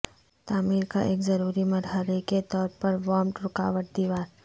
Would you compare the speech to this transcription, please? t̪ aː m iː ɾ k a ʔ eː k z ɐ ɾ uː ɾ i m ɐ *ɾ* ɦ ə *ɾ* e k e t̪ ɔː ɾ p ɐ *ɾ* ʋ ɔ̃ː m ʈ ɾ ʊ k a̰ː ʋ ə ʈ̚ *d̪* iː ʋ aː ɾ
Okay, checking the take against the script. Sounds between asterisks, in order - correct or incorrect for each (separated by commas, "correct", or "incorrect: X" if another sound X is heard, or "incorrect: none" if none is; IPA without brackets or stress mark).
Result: correct, correct, correct, correct